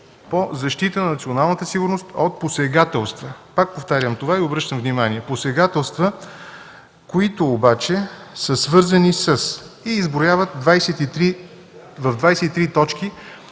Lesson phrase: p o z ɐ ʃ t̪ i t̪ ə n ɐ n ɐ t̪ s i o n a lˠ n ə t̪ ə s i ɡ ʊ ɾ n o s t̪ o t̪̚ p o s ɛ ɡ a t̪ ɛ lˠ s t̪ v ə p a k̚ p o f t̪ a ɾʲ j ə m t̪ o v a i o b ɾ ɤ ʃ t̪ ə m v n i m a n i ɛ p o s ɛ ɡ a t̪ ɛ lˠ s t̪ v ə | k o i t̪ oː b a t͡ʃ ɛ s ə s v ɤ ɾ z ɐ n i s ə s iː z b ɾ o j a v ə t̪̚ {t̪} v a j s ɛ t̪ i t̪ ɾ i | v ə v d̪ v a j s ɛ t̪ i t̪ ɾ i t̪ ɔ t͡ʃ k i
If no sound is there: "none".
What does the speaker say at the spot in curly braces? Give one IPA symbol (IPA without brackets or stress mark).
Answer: d̪